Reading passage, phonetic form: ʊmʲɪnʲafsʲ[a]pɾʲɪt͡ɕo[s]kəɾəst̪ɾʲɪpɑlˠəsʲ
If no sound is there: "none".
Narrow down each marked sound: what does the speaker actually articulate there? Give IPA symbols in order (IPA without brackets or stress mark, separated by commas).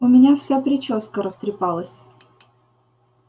a, s